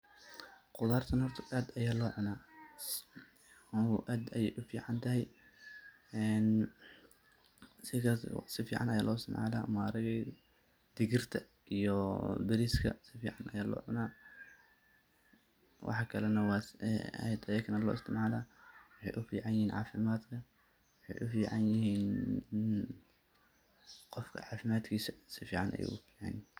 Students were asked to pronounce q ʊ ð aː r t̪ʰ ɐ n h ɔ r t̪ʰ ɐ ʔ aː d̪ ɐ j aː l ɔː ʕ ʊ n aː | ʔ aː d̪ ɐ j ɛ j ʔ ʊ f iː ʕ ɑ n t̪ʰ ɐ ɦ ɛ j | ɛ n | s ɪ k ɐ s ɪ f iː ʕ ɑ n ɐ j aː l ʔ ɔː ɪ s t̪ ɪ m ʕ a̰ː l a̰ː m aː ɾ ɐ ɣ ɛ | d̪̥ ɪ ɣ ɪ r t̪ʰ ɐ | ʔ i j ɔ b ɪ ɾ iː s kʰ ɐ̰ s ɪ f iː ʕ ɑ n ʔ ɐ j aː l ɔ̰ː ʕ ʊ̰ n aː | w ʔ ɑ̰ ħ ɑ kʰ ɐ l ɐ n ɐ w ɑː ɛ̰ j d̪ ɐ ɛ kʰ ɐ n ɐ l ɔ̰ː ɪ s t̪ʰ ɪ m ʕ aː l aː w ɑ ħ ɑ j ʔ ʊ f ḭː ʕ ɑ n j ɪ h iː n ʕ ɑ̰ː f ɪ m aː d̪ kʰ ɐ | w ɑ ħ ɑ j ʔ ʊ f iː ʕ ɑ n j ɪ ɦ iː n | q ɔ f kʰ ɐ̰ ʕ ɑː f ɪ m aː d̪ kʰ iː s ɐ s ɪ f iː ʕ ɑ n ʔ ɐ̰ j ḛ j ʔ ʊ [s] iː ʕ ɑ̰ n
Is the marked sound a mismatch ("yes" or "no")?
yes